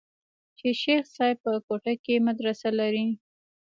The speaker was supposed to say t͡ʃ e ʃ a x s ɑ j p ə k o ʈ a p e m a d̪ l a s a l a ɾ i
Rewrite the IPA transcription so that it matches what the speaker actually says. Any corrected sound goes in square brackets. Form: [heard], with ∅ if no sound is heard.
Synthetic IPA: t͡ʃ e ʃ [e] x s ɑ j p ə k o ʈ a [k] e m a d̪ [ɾ] a s a l a ɾ i